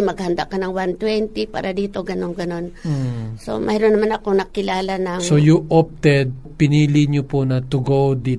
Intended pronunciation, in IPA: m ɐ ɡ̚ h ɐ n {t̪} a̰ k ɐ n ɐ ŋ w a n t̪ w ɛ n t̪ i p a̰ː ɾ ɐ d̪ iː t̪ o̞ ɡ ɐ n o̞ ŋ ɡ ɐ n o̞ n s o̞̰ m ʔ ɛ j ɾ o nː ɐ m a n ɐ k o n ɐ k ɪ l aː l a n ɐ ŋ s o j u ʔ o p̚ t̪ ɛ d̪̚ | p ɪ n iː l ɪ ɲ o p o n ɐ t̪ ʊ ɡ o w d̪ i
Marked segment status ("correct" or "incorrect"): incorrect